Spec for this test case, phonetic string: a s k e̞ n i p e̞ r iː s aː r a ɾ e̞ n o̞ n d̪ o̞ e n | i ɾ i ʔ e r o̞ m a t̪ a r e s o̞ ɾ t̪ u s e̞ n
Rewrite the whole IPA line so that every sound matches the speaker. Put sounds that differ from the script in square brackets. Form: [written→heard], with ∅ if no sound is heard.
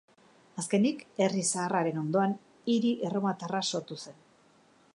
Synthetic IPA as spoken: a s k e̞ n i [p→k] e̞ r [iː→i] s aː r a ɾ e̞ n o̞ n d̪ o̞ [e→a] n | i ɾ i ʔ e r o̞ m a t̪ a r [e→a] s o̞ ɾ t̪ u s e̞ n